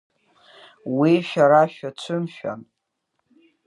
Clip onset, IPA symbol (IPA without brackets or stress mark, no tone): w